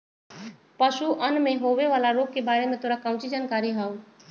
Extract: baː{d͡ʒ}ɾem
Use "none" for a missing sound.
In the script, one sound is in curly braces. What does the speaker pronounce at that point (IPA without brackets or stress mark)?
none